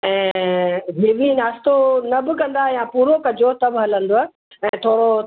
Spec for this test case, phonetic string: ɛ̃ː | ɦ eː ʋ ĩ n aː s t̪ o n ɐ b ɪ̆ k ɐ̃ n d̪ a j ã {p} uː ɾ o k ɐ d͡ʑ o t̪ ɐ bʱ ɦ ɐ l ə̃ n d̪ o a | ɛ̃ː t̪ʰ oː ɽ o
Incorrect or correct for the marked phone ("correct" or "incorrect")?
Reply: correct